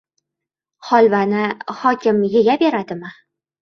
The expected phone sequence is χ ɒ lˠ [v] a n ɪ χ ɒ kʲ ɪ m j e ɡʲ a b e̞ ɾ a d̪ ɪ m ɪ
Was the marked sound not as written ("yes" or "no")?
no